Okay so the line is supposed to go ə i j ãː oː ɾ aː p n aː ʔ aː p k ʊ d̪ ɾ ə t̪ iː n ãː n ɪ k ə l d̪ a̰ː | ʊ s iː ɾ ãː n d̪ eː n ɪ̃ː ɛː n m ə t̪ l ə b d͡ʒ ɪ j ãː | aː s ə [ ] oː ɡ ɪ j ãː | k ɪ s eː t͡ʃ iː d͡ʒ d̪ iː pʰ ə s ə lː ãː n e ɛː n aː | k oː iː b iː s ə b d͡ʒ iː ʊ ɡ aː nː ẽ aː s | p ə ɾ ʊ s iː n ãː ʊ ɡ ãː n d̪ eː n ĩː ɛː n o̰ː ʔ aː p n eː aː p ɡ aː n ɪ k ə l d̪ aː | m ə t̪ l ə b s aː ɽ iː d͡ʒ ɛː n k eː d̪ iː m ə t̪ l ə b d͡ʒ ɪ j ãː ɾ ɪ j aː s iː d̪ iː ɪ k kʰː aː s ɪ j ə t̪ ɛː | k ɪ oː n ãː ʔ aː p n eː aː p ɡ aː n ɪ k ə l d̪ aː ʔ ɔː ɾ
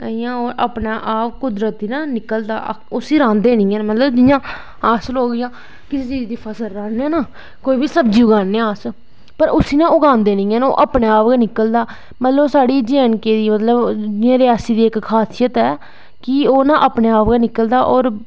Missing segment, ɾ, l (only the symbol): l